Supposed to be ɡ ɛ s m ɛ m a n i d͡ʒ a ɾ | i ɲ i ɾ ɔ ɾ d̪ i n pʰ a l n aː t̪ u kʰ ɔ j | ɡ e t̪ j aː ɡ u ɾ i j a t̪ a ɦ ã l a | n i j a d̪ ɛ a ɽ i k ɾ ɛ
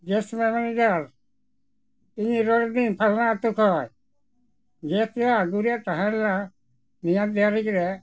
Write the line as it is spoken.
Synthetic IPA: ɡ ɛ s m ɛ m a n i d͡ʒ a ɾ | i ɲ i ɾ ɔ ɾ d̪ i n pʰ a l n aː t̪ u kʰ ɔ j | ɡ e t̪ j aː ɡ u ɾ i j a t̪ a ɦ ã l a | n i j a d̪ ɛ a ɾ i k ɾ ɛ